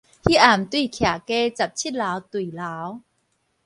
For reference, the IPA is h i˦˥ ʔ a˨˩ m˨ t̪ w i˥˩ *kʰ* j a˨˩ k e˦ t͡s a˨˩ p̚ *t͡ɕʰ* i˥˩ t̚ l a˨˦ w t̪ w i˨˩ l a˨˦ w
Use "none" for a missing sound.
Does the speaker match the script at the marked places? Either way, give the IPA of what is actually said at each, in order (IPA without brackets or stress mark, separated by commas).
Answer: kʰ, t͡ɕʰ